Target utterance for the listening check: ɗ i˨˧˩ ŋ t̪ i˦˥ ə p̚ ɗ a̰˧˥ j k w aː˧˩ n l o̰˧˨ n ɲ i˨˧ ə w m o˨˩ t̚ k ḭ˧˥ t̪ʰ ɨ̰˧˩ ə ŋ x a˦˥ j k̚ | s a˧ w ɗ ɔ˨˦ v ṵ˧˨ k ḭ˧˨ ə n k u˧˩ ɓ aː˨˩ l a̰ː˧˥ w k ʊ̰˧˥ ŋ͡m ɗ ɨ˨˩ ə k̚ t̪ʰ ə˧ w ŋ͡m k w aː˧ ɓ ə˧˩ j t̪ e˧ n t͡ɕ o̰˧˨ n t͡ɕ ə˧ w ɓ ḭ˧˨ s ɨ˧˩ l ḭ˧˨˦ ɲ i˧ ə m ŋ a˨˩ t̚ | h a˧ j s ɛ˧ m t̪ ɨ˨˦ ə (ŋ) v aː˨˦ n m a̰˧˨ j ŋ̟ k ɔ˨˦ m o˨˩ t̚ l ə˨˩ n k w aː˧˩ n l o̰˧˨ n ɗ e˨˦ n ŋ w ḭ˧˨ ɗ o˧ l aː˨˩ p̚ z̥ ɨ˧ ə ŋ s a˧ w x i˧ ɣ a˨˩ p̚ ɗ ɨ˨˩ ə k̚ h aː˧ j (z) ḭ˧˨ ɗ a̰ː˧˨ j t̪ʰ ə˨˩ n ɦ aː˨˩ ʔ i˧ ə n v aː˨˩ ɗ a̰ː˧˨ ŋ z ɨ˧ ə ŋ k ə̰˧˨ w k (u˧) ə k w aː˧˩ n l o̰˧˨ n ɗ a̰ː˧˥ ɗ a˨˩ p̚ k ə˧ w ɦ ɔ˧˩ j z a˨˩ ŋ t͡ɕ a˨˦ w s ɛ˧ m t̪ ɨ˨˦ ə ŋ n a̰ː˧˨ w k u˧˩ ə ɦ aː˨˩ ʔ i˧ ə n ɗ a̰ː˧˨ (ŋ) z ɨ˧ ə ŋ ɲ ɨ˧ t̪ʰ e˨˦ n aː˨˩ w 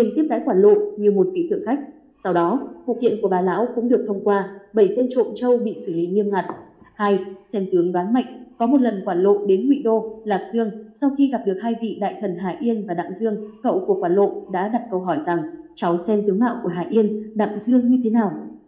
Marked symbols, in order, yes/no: yes, no, no, yes

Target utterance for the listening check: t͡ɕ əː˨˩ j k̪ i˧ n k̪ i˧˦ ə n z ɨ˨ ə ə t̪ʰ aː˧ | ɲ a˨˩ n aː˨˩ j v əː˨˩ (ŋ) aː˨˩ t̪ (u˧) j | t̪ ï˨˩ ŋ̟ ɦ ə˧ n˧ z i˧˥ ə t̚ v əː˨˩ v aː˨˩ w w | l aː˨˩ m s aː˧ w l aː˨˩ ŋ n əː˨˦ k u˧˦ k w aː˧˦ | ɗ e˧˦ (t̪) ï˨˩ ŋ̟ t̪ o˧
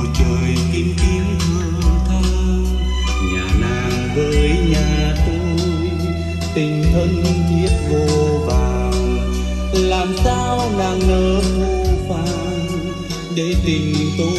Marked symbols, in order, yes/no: no, no, yes

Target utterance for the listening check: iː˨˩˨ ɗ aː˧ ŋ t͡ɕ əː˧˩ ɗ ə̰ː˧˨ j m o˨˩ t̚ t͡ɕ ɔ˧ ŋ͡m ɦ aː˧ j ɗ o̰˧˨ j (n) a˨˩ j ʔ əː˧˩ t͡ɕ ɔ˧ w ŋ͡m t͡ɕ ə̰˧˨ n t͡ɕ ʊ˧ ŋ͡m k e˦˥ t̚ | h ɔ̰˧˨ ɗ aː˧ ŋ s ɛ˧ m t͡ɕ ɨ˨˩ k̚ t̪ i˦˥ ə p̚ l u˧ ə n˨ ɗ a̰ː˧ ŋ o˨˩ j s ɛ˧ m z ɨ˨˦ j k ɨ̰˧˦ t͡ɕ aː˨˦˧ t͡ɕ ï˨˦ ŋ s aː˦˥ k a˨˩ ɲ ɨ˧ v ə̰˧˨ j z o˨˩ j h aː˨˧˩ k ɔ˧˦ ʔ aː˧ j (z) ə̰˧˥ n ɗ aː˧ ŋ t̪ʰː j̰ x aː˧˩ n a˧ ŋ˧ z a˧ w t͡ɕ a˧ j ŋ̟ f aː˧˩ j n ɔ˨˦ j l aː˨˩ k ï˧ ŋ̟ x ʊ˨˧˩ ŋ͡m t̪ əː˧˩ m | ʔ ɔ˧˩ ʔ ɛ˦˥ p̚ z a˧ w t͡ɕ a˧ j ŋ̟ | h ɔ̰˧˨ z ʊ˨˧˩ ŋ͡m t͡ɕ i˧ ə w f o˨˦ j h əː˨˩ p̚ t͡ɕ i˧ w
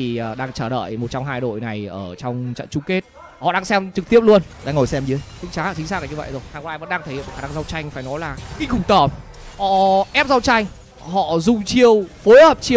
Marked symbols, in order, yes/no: yes, no

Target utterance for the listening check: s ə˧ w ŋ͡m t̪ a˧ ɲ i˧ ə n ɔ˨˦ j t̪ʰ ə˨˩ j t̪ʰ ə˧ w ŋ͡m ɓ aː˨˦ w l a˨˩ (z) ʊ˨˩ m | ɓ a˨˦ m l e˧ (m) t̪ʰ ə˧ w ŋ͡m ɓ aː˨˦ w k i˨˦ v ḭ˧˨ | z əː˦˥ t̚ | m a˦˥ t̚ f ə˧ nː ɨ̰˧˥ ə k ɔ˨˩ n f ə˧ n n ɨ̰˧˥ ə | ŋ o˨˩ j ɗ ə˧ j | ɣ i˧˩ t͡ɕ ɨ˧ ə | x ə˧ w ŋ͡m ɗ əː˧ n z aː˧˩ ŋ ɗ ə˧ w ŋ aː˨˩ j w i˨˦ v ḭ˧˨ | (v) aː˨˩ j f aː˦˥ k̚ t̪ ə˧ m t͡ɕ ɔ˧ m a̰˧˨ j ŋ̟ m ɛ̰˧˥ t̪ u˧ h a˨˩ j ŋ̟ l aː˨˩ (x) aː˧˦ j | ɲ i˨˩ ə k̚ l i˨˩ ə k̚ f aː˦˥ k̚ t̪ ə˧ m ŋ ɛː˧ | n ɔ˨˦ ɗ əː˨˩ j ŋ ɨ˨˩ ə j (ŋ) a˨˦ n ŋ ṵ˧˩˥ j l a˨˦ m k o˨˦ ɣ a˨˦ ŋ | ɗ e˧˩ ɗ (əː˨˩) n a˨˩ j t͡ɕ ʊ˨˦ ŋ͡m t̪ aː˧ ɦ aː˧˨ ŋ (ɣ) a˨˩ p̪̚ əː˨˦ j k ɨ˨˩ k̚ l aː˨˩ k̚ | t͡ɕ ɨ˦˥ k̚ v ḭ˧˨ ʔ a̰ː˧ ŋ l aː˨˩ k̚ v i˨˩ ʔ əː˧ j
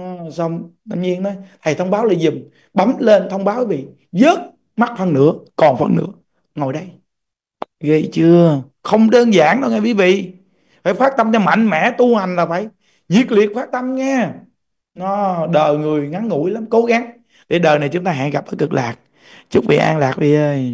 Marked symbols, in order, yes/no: yes, no, no, no, yes, yes, yes

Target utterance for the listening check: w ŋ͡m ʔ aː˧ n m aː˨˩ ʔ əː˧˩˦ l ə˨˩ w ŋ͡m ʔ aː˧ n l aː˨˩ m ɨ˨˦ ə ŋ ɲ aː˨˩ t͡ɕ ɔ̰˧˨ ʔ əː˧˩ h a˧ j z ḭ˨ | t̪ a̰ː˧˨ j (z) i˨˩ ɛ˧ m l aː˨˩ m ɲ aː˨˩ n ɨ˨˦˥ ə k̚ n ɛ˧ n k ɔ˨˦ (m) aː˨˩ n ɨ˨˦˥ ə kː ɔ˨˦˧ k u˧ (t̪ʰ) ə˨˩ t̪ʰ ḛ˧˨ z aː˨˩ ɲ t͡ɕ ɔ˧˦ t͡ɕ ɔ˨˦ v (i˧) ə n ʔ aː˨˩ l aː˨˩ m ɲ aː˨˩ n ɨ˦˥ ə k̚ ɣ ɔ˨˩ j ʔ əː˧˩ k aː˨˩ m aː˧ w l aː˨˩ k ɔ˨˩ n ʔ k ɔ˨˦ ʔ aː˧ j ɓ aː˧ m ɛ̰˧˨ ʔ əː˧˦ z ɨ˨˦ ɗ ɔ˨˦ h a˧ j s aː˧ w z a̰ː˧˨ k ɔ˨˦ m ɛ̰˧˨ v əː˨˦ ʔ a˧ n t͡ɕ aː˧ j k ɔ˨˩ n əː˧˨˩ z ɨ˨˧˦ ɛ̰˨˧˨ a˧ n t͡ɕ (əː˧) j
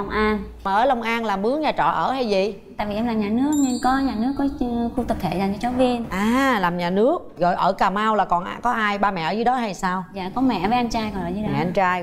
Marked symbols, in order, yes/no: no, no, no, yes, no

